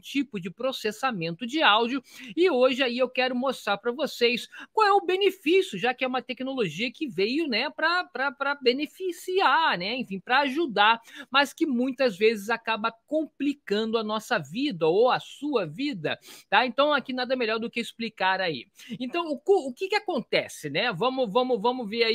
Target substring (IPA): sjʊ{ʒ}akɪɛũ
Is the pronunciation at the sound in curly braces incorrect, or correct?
correct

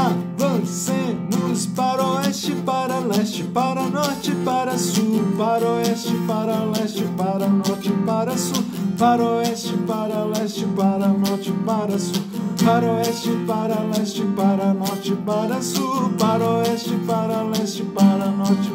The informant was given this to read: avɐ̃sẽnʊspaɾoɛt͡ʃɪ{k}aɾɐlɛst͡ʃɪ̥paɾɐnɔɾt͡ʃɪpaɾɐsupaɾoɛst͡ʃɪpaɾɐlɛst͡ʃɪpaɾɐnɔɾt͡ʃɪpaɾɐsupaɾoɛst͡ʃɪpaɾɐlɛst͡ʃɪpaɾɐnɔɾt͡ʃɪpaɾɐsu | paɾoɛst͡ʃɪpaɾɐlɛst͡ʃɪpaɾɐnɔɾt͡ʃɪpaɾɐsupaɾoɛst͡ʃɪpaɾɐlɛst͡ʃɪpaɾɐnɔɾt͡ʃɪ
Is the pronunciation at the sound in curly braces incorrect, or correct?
incorrect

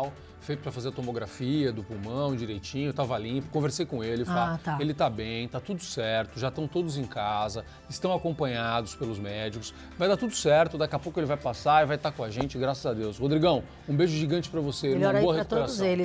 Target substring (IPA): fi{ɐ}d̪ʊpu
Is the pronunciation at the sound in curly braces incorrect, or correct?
correct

